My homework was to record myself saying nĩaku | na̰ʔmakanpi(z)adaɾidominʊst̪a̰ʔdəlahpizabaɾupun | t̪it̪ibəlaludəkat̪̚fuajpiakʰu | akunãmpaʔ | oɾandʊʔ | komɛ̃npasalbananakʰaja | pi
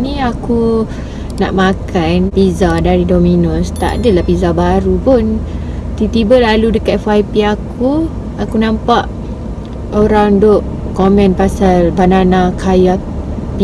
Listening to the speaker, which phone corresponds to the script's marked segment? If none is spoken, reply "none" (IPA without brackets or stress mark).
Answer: z